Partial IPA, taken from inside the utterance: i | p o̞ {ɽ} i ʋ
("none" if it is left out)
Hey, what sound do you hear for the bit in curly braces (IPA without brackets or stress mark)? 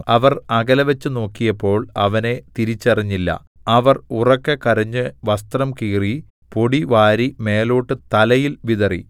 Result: ɽ